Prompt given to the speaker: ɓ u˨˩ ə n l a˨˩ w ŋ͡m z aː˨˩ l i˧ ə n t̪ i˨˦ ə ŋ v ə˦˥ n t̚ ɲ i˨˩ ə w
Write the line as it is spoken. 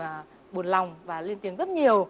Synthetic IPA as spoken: ɓ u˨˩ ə n l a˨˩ w ŋ͡m v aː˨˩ l i˧ ə n t̪ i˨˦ ə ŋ z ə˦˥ t̚ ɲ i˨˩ ə w